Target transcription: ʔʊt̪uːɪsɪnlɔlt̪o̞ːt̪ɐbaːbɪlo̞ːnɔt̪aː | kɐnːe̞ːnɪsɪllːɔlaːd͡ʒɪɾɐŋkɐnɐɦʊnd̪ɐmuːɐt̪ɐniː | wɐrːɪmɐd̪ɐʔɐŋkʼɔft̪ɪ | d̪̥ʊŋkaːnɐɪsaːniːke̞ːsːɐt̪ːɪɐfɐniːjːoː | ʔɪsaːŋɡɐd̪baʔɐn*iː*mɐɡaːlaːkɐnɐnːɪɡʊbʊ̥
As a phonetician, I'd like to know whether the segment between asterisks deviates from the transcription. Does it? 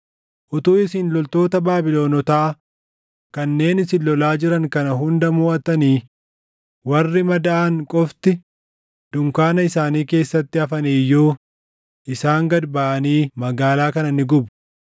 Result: no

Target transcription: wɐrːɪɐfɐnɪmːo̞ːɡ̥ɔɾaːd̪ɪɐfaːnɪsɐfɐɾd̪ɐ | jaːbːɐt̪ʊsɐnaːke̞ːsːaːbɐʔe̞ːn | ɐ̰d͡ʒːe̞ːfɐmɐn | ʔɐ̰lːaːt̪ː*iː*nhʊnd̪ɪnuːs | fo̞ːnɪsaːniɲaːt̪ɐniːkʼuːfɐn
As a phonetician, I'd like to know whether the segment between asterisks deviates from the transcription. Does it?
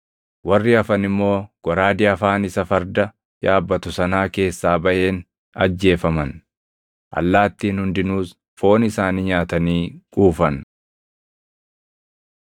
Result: no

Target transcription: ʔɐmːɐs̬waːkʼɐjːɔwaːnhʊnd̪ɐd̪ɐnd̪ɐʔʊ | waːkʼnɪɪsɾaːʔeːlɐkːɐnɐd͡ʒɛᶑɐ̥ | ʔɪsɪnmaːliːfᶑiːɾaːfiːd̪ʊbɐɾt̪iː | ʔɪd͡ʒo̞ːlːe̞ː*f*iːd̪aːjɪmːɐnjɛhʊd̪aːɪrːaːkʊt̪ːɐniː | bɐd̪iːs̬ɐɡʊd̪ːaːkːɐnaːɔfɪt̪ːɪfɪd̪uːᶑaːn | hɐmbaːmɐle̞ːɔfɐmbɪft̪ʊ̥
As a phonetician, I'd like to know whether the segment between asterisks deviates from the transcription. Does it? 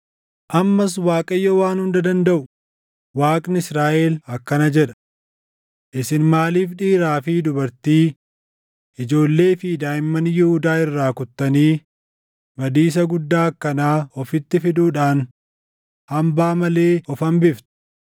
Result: no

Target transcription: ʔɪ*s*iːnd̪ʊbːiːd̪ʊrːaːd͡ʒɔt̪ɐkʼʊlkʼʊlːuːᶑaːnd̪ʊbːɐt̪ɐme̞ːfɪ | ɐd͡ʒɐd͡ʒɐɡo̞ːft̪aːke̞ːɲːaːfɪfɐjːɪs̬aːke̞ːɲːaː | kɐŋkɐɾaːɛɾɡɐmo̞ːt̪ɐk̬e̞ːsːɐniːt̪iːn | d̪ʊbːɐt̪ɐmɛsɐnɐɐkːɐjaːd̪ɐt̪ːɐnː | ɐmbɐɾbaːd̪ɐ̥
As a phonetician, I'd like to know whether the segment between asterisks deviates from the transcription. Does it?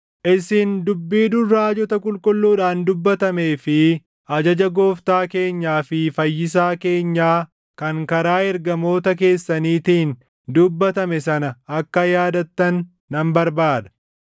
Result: no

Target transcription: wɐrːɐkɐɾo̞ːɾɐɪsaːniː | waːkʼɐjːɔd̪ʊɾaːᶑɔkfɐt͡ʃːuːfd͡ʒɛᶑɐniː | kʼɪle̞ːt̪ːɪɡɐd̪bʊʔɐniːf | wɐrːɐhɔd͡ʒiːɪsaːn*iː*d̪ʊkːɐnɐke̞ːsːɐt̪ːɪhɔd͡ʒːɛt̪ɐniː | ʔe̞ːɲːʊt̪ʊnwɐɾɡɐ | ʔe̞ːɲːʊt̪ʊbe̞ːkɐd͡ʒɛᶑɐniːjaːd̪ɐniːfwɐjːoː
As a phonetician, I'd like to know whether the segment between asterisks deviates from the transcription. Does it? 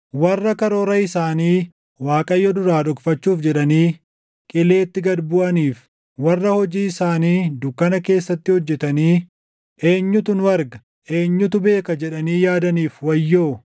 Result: no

